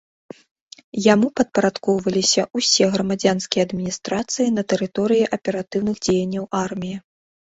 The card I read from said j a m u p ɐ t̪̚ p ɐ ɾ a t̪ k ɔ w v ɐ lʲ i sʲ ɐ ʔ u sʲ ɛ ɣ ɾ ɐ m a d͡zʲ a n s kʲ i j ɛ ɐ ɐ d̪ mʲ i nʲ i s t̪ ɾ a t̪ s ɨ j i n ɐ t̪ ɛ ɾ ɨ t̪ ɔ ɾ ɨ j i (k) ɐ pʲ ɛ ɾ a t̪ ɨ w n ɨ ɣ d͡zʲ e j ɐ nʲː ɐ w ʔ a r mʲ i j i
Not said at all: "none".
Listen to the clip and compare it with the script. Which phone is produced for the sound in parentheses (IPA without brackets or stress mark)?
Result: ʔ